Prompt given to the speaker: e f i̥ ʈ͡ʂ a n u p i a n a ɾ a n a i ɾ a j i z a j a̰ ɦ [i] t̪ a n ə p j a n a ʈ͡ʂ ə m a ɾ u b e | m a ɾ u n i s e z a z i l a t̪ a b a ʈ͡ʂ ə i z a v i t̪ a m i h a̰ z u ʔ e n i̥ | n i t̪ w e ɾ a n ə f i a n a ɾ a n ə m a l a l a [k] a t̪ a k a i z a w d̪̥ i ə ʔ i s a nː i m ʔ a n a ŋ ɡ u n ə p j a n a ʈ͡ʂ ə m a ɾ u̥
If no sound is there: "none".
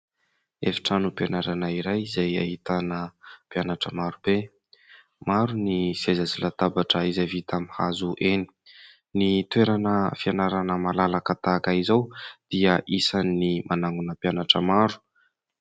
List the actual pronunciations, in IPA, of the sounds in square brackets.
i, k

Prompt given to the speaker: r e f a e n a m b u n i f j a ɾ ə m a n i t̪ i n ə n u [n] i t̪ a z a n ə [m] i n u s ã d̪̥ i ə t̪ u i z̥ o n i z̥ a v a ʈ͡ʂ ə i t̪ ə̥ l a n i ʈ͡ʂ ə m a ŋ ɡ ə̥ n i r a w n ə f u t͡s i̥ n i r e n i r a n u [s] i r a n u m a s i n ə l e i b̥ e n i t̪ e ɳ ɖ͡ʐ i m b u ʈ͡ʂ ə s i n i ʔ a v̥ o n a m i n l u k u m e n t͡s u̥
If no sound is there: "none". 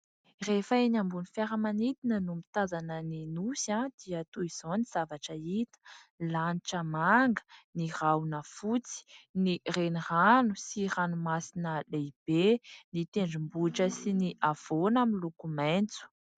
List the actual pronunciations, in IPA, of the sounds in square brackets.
m, n, s

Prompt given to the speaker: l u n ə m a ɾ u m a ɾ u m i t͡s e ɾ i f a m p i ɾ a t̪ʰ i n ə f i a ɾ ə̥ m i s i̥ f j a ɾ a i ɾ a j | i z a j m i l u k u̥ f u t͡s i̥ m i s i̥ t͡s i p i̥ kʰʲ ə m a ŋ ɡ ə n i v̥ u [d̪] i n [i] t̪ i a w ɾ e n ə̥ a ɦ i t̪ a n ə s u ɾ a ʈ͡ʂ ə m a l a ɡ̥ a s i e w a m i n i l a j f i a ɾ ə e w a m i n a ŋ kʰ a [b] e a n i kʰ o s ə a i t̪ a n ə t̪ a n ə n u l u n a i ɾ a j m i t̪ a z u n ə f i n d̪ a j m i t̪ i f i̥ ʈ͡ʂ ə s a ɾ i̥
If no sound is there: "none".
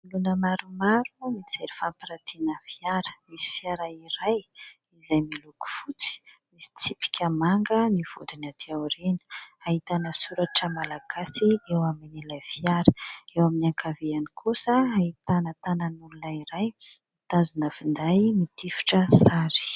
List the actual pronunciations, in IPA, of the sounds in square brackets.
d̪, a, v

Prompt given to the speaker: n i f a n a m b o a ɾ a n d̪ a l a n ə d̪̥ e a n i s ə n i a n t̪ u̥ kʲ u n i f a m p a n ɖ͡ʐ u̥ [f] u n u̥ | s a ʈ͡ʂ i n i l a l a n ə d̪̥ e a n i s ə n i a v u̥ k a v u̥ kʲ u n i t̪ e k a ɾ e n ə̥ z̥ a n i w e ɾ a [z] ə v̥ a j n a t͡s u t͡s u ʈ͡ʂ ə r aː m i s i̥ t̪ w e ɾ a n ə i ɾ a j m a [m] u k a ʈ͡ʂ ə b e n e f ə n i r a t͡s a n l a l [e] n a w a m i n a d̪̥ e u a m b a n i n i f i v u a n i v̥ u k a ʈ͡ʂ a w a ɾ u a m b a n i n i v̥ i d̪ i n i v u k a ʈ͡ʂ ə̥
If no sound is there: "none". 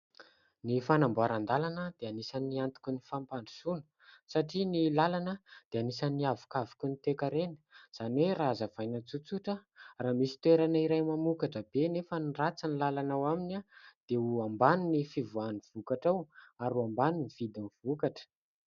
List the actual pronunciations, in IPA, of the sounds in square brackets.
s, z, m, a

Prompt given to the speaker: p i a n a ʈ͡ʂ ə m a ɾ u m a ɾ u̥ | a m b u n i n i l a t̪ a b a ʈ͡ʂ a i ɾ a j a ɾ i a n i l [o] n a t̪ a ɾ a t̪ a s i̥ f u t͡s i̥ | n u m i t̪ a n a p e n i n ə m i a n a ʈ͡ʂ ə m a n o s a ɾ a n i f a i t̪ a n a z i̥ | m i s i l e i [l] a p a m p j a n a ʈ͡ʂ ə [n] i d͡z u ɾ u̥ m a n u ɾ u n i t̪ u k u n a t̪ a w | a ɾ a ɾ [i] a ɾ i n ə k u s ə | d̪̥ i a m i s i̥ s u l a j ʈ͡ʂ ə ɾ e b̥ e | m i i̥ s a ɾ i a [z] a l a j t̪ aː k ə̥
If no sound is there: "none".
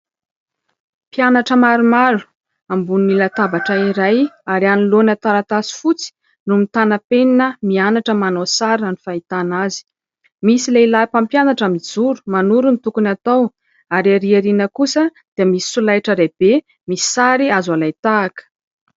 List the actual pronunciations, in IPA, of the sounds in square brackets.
o, l, m, i, z

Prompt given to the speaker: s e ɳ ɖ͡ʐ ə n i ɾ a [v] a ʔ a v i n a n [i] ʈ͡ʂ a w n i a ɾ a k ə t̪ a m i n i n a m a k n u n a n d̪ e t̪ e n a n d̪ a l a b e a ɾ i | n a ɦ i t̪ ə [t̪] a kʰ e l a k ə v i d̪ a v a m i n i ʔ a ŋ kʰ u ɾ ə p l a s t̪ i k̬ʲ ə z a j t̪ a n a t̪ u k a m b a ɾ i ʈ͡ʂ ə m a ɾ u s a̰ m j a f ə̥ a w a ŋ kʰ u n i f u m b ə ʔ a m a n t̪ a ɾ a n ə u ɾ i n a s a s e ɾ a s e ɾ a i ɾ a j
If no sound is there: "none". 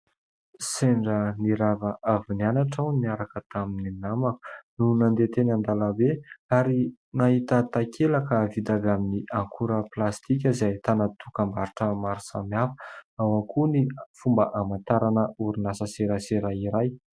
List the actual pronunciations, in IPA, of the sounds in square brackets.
v, a, t̪

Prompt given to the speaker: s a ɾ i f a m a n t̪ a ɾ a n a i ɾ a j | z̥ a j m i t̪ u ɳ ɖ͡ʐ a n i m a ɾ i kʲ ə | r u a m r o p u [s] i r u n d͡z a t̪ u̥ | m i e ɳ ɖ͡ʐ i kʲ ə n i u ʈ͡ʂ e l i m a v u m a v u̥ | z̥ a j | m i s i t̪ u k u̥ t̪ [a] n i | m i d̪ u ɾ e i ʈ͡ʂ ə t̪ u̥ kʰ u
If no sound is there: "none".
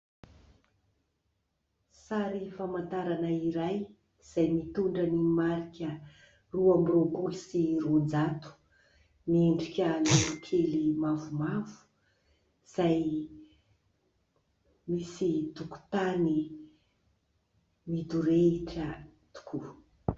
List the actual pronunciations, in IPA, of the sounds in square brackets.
s, a

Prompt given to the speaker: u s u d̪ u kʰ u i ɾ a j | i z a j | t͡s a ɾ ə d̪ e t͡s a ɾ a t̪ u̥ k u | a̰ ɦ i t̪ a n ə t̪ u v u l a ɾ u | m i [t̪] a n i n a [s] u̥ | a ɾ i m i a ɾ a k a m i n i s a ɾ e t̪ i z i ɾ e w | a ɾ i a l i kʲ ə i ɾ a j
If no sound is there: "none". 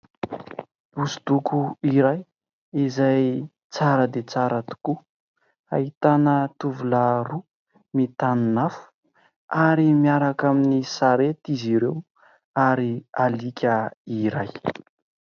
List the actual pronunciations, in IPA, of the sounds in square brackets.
t̪, f

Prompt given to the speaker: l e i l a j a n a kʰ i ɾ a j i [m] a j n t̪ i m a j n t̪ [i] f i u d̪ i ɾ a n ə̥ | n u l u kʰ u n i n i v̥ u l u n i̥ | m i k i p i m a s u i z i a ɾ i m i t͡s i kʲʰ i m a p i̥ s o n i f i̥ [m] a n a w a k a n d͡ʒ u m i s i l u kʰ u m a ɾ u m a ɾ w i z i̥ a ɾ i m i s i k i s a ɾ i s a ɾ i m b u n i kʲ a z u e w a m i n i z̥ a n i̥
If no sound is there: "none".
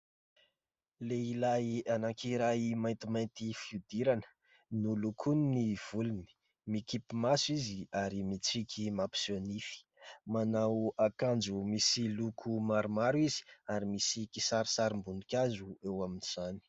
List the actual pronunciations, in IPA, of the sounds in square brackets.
m, i, m

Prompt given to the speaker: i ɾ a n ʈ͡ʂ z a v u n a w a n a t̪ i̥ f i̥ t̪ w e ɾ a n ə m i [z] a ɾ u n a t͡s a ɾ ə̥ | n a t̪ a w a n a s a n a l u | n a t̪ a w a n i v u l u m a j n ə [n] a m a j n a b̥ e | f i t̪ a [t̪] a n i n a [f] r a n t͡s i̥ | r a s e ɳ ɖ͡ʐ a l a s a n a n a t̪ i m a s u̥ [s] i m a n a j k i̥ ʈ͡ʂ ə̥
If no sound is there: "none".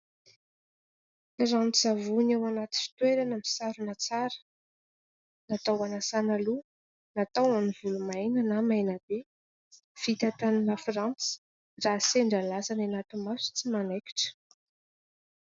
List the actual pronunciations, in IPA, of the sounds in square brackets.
s, n, t̪, f, t͡s

